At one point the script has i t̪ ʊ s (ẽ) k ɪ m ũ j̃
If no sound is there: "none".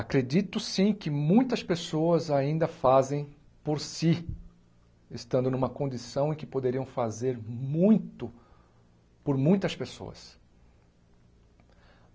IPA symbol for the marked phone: ĩ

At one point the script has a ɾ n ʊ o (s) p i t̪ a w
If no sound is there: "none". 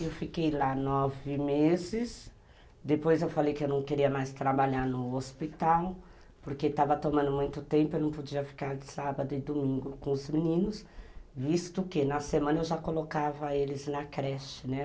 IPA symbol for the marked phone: s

